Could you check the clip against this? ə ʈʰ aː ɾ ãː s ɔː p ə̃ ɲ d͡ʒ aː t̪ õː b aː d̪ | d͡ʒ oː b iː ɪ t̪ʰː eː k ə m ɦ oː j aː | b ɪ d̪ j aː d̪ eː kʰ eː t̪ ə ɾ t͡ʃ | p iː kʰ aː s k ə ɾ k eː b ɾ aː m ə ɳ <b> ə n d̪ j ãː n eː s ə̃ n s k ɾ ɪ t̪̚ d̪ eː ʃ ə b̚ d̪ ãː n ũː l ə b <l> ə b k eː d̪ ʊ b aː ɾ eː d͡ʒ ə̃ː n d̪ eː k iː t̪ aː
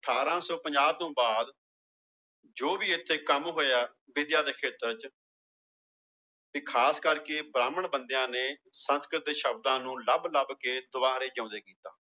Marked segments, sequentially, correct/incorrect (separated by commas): correct, correct